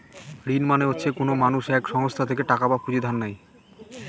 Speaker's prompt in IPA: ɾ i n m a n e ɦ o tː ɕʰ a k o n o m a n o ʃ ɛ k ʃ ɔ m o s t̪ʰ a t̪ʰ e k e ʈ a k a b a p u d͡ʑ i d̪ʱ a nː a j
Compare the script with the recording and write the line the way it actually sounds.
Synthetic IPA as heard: ɾ i n m a n e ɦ o tː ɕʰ e k o n o m a n u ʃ ɛ k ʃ ɔ ŋ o s t̪ʰ a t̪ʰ e k e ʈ a k a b a p u d͡ʑ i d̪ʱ a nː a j